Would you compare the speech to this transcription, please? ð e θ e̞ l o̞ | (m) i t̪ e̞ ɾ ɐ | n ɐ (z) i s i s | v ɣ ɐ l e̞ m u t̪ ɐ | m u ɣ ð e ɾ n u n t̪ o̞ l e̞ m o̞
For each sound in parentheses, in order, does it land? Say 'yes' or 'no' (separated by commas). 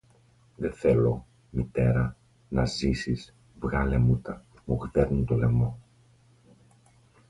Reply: yes, yes